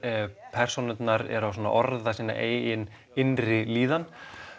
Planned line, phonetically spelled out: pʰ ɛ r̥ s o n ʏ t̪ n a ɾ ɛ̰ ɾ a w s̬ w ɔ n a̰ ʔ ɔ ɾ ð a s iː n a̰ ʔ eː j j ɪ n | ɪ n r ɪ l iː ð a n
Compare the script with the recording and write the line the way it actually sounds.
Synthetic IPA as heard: pʰ ɛ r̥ s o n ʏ t̪ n a ɾ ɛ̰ ɾ a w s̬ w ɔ n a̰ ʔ ɔ ɾ ð a s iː n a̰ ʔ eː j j ɪ n | ɪ n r ɪ l iː ð a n